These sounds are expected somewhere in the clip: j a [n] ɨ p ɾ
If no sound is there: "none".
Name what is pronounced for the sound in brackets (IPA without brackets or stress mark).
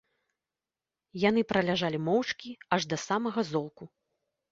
n